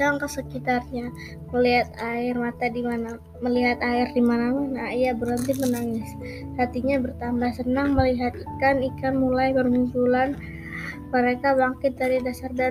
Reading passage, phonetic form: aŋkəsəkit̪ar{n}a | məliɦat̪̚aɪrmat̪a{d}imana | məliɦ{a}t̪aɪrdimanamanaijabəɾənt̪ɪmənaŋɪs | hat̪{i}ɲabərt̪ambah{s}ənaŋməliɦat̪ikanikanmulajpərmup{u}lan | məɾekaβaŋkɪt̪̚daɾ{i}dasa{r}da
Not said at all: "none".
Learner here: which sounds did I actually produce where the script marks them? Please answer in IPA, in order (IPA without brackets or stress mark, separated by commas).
ɲ, d, a, i, s, u, i, r